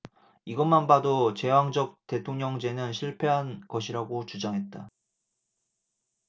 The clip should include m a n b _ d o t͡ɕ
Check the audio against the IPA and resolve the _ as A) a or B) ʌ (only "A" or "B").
A